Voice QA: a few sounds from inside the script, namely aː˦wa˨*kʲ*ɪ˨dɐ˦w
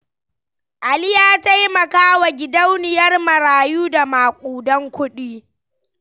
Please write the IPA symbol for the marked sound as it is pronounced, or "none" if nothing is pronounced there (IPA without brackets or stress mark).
ɡʲ